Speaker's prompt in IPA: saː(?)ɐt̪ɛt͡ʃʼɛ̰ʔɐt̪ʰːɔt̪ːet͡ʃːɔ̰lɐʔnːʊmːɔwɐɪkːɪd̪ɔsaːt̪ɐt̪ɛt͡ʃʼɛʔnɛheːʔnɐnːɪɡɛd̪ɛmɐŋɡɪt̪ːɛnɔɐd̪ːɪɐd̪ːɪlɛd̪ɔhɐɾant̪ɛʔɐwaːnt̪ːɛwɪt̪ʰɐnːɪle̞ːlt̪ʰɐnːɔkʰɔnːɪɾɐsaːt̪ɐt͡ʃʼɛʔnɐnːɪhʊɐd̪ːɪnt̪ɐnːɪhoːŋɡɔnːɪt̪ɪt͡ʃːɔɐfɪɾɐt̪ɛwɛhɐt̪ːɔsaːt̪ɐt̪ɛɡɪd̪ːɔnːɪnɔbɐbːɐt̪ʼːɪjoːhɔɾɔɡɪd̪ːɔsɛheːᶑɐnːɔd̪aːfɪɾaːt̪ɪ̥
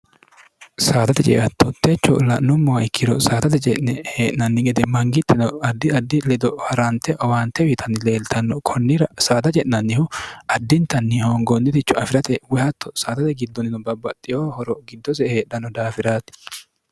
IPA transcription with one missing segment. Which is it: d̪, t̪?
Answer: t̪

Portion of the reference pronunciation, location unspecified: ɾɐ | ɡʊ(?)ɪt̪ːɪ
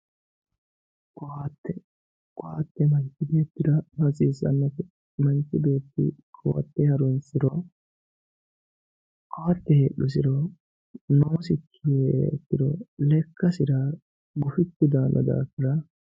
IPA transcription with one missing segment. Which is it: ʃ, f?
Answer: f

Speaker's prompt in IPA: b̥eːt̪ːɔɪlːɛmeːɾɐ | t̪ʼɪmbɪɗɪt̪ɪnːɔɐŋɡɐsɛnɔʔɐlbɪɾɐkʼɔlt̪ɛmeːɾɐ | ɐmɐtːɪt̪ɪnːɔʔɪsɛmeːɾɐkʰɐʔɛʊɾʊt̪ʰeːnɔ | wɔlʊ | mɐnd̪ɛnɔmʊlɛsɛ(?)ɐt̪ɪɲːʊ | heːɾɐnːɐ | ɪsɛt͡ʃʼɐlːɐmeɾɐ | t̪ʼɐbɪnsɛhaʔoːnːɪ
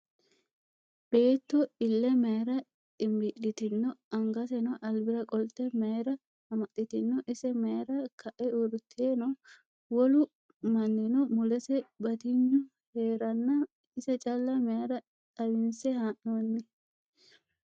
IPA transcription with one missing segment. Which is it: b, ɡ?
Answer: b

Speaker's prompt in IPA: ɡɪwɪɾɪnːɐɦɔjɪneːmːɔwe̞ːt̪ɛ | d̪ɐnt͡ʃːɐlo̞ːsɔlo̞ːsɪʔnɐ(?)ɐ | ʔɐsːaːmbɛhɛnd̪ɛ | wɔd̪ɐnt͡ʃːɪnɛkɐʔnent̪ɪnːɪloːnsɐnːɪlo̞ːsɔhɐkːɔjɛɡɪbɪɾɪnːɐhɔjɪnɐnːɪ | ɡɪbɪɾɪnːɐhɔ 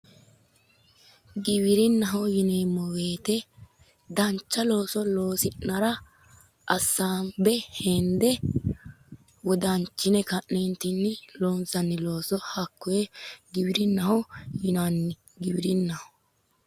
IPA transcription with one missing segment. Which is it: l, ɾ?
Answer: ɾ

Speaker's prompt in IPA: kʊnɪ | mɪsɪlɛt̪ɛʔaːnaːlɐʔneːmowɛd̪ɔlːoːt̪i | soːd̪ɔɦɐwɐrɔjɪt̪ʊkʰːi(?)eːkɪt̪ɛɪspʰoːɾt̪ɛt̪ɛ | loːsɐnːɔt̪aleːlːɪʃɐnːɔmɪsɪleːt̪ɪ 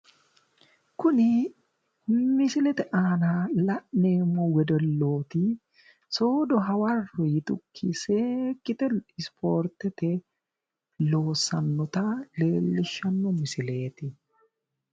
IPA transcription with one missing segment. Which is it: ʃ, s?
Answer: s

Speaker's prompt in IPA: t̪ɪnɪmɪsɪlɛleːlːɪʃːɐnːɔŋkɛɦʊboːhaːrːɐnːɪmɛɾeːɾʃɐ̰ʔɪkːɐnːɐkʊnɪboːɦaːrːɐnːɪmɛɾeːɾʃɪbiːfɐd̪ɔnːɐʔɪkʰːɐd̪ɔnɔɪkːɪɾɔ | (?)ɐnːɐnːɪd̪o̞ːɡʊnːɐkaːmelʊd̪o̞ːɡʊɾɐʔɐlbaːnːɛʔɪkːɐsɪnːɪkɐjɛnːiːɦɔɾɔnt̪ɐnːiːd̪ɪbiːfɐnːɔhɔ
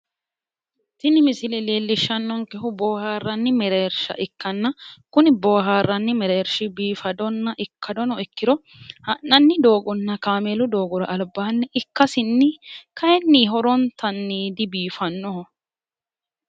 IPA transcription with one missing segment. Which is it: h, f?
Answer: h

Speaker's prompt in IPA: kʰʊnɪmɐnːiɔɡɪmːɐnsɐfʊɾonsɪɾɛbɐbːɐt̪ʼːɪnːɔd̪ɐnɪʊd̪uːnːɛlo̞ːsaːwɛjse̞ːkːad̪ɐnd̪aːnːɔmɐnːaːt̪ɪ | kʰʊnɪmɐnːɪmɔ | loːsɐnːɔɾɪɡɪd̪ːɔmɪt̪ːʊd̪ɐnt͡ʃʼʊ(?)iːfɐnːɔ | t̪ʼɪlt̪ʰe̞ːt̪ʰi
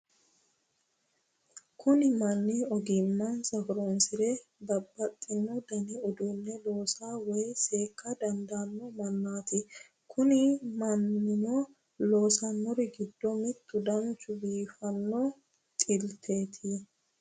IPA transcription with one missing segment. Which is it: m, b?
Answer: b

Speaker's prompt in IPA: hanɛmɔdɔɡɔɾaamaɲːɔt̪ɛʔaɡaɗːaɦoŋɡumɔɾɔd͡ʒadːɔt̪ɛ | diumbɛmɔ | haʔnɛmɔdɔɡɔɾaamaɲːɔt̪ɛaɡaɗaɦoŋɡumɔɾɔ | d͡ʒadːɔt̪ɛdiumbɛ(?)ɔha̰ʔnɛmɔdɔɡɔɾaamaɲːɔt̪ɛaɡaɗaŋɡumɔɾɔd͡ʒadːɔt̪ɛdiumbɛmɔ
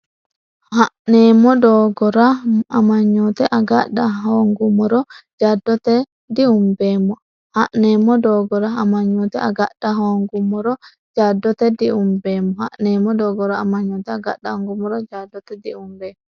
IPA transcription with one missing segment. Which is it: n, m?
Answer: m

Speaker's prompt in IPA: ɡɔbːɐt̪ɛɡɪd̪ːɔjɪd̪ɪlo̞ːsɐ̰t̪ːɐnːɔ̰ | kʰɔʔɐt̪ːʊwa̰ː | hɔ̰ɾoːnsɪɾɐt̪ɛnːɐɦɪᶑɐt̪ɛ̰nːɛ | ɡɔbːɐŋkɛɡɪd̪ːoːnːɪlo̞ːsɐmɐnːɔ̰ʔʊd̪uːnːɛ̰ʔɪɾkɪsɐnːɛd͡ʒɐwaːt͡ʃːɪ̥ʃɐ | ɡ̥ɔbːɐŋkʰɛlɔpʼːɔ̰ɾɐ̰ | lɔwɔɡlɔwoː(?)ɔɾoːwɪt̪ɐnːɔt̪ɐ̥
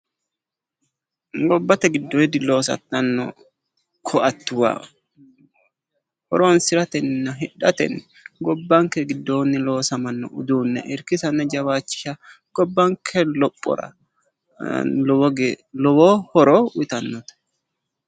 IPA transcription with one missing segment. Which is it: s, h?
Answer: h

